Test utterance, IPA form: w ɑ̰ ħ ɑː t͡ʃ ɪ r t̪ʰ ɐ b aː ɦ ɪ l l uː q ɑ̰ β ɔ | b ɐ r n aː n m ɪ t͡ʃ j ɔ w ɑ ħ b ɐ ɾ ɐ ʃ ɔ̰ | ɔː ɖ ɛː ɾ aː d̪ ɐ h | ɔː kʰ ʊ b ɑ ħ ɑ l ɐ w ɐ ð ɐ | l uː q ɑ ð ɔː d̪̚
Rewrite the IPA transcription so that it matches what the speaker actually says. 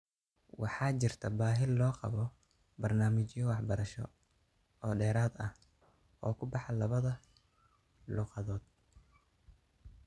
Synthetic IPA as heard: w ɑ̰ ħ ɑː t͡ʃ ɪ r t̪ʰ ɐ b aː ɦ ɪ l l ɔː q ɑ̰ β ɔ | b ɐ r n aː m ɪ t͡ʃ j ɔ w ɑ ħ b ɐ ɾ ɐ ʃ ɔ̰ | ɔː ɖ ɛː ɾ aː d̪ ɐ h | ɔː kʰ ʊ b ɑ ħ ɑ l ɐ β ɐ ð ɐ | l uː q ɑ ð ɔː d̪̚